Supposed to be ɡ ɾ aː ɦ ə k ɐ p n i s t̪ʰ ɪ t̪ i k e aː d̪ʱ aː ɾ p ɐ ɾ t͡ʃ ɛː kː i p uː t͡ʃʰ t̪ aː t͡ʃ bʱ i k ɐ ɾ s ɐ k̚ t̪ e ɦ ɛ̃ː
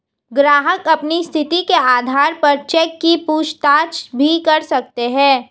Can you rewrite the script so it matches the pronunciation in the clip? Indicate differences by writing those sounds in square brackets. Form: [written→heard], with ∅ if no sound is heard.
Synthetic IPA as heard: ɡ ɾ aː ɦ ə k ɐ p n i s t̪ʰ ɪ t̪ i k e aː d̪ʱ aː ɾ p ɐ ɾ t͡ʃ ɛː kː i p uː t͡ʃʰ t̪ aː t͡ʃ bʱ i k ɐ ɾ s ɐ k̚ t̪ e ɦ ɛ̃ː